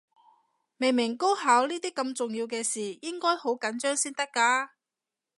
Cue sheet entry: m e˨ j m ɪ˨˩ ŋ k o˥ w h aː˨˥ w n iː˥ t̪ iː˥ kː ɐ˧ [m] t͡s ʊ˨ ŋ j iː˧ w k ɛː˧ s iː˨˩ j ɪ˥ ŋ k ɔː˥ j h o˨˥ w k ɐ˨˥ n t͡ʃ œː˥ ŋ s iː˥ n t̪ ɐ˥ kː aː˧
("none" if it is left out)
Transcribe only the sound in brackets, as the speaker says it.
m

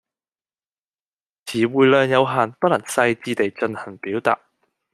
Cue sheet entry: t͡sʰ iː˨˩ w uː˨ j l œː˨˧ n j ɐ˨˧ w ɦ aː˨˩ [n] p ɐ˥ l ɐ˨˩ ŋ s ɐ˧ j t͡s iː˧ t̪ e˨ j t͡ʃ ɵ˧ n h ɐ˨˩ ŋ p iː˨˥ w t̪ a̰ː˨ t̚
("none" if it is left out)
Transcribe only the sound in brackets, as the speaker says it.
n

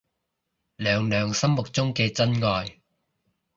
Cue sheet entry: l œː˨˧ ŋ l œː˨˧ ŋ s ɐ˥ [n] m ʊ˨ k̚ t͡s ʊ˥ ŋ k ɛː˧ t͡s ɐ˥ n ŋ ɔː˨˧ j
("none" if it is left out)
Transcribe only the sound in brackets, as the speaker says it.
m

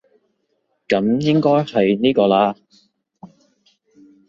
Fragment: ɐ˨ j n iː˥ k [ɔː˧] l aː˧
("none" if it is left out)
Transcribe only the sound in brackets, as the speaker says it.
ɔː˧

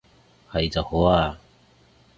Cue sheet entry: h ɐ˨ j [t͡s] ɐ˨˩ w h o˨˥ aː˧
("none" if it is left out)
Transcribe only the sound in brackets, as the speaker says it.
t͡s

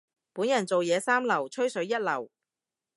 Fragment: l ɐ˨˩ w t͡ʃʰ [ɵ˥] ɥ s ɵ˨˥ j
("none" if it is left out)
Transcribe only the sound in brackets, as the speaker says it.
ɵ˥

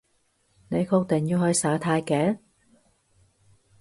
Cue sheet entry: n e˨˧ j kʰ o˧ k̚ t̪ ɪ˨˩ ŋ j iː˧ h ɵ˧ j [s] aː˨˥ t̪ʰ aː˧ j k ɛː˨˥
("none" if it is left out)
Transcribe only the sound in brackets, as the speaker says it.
s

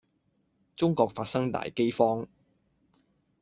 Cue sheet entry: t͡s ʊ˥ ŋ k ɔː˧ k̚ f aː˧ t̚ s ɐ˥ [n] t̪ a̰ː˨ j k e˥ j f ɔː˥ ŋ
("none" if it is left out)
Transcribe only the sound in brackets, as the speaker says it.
ŋ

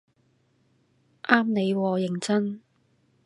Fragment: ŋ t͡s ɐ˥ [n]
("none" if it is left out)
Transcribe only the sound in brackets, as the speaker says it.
n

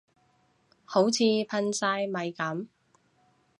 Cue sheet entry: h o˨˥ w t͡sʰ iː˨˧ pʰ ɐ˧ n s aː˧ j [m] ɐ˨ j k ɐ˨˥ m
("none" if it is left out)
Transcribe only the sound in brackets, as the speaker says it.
m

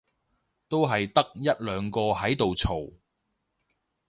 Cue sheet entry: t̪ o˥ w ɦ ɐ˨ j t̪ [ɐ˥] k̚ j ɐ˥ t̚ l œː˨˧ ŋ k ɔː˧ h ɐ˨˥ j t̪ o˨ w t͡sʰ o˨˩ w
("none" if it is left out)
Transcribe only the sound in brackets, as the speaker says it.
ɐ˥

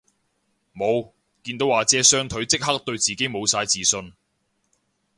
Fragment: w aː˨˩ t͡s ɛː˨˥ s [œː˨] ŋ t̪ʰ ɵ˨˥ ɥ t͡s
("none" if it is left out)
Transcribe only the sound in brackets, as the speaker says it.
œː˥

